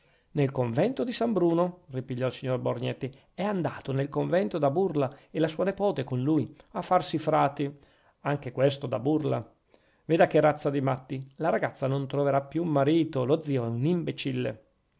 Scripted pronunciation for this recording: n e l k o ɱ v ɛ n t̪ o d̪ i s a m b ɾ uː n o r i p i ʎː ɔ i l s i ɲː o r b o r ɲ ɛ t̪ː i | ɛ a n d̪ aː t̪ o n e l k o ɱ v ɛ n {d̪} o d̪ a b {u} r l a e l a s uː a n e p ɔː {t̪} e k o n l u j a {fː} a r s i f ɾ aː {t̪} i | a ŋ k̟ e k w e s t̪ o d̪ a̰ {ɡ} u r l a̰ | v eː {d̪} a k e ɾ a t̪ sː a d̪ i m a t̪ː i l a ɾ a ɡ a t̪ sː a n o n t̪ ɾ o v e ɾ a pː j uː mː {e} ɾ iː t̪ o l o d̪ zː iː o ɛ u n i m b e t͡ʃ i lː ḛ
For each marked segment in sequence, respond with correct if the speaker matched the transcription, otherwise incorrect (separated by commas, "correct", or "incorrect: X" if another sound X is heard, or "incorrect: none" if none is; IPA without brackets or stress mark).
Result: incorrect: t̪, correct, correct, correct, correct, incorrect: b, correct, incorrect: a